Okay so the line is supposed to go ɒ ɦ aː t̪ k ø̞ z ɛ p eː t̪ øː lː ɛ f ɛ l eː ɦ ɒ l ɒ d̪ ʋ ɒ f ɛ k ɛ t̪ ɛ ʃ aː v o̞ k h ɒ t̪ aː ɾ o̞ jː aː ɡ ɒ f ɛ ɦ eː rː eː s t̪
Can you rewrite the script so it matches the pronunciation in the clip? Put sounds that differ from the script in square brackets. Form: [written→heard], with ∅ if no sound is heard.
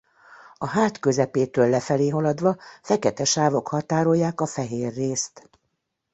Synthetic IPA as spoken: ɒ ɦ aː t̪ k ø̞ z ɛ p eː t̪ øː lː ɛ f ɛ l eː ɦ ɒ l ɒ d̪ ʋ ɒ f ɛ k ɛ t̪ ɛ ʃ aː v o̞ k h ɒ t̪ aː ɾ o̞ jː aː [ɡ→k] ɒ f ɛ ɦ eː rː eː s t̪